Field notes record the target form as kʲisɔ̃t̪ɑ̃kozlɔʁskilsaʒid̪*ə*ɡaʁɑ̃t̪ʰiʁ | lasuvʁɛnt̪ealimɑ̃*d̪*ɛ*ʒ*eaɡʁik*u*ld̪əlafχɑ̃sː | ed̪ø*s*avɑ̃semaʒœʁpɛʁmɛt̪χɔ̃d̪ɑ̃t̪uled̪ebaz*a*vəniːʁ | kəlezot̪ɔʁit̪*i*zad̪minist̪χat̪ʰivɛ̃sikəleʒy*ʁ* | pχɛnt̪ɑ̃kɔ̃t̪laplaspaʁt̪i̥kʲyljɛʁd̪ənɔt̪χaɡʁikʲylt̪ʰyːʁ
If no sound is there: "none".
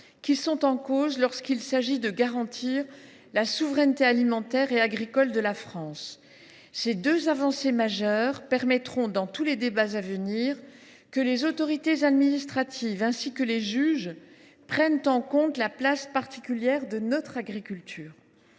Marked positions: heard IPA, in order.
ə, t̪, ʁ, ɔ, z, a, e, ʒ

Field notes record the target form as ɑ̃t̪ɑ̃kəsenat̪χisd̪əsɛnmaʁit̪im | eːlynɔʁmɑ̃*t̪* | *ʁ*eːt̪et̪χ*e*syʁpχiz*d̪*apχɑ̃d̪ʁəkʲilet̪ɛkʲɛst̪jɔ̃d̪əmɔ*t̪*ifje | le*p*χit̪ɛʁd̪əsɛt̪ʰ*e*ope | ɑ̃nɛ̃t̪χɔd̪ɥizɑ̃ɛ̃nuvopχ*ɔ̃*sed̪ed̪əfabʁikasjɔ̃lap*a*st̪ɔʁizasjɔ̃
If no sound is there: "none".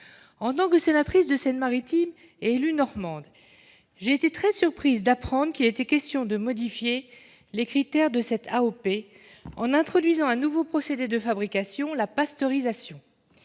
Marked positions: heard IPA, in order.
d̪, ʒ, ɛ, d̪, d̪, k, a, ɔ, a

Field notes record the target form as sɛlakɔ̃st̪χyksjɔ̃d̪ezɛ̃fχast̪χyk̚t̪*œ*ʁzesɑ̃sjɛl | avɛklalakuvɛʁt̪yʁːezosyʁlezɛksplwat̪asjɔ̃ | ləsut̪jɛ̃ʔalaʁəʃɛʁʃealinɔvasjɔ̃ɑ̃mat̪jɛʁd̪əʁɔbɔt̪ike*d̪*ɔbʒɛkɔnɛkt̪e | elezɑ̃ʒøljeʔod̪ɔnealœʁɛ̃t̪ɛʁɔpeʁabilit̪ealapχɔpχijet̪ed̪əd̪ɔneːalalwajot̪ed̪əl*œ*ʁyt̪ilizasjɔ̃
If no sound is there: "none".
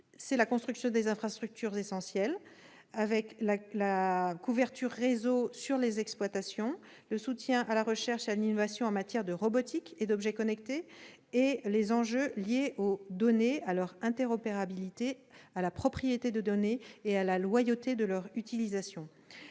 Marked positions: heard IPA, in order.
y, d̪, œ

